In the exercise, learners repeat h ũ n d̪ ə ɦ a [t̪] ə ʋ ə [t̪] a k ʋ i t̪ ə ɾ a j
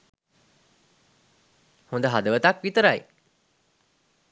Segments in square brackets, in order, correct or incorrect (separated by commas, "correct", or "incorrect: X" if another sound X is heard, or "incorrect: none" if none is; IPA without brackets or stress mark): incorrect: d̪, correct